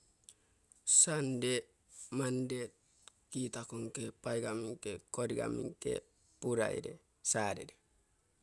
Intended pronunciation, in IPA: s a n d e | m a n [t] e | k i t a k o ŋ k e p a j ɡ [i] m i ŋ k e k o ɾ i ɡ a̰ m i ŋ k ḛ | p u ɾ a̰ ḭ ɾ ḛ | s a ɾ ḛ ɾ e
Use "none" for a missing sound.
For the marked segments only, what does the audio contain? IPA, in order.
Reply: d, a

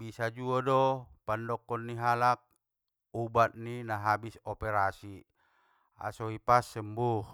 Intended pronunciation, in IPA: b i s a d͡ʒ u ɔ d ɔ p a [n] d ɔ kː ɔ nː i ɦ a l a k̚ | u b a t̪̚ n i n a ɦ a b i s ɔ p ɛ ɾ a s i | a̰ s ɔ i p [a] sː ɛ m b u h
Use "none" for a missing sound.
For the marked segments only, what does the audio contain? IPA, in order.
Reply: n, a

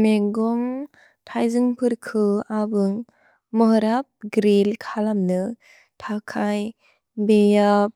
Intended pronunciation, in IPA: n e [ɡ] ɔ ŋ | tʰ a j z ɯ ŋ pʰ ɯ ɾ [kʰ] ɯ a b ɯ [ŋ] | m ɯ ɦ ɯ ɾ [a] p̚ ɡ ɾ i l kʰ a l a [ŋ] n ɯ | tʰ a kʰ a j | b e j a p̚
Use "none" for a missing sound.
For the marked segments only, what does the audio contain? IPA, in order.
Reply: ɡ, kʰ, ŋ, a, m

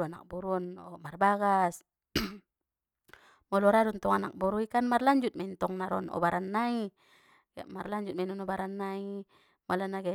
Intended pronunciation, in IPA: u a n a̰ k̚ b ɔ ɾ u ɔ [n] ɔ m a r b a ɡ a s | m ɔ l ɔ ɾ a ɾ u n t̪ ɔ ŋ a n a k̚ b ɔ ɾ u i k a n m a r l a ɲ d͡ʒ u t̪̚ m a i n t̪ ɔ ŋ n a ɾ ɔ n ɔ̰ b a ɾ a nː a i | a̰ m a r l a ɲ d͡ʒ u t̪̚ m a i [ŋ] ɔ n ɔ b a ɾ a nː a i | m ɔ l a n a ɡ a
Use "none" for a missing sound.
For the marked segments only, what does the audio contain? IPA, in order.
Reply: n, n

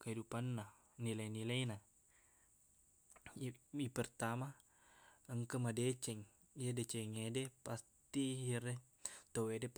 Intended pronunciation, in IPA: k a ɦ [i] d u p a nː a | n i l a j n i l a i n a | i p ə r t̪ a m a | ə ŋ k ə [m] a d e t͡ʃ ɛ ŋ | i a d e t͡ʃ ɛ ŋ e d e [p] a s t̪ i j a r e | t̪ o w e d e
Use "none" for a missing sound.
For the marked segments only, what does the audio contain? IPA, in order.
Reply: i, m, p

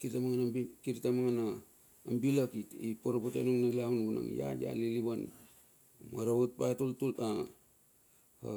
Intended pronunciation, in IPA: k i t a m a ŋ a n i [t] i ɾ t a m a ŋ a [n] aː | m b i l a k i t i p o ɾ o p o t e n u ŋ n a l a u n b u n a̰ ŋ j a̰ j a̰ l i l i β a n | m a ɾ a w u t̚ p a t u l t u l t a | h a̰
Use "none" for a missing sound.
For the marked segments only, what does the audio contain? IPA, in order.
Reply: k, n

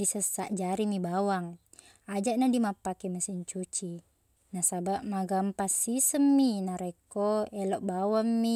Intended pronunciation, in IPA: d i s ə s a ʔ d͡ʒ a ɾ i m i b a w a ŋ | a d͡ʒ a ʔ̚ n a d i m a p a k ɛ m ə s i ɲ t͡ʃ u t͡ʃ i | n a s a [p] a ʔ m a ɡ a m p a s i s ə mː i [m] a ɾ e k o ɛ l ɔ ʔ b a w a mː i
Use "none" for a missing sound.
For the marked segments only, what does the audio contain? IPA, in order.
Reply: b, n

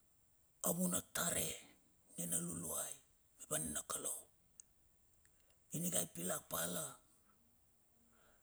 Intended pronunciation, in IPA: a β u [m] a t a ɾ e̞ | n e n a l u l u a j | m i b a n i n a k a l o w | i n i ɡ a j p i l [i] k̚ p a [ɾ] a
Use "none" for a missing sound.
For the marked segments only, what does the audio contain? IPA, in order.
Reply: n, a, l

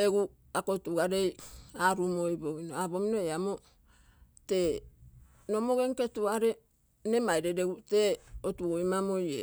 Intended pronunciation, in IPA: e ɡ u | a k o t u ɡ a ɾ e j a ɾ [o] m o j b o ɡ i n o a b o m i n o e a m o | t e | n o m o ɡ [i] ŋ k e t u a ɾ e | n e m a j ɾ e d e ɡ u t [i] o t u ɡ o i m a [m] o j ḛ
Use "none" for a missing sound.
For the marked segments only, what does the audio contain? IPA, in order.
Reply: u, e, e, m

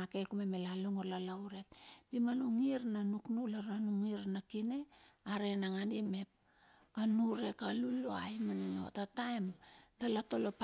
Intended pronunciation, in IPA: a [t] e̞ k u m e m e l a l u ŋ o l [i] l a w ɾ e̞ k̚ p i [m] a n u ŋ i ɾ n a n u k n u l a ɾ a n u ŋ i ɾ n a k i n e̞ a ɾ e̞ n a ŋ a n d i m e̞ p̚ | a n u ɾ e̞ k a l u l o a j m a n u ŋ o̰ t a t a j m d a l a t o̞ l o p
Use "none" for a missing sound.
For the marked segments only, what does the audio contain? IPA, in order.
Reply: k, a, m

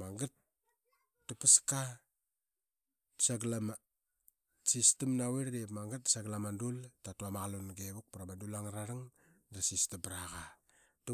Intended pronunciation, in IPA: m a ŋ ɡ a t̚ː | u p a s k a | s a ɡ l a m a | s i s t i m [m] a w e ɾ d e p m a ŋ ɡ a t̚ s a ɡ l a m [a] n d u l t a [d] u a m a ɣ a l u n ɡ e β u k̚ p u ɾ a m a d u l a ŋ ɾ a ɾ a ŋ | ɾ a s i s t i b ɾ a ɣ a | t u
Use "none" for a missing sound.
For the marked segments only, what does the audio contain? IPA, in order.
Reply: n, a, t

